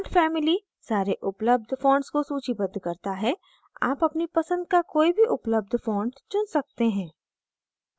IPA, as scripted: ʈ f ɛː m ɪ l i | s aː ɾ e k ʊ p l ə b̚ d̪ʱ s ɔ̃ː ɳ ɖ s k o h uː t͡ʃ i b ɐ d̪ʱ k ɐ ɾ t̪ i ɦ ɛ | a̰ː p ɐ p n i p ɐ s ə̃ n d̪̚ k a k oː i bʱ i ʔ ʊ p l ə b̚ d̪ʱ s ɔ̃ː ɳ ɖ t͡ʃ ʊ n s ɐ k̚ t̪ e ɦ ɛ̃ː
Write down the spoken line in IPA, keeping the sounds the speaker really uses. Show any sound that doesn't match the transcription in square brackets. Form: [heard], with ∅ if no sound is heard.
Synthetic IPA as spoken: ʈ f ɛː m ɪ l i | s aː ɾ e [ʔ] ʊ p l ə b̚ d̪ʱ [f] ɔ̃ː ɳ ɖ s k o [s] uː t͡ʃ i b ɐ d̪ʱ k ɐ ɾ t̪ [a] ɦ ɛ | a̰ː p ɐ p n i p ɐ s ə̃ n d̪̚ k a k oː i bʱ i ʔ ʊ p l ə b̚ d̪ʱ [f] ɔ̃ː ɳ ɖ t͡ʃ ʊ n s ɐ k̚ t̪ e ɦ ɛ̃ː